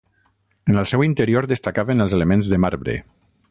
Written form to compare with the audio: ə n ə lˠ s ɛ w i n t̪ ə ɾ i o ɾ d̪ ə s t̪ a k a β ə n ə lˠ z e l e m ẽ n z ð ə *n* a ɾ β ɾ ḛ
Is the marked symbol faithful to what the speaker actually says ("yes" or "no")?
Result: no